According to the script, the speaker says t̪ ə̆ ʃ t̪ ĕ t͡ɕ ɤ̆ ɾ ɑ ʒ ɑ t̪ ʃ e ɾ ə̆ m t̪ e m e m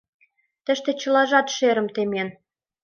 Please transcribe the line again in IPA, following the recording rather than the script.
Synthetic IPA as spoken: t̪ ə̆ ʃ t̪ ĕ t͡ɕ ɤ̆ l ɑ ʒ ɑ t̪ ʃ e ɾ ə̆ m t̪ e m e n